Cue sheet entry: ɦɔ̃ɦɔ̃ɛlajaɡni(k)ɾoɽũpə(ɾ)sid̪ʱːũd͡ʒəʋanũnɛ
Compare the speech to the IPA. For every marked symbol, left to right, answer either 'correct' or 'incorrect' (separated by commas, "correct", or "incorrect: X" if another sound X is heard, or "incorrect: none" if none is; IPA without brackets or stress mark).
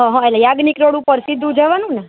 correct, correct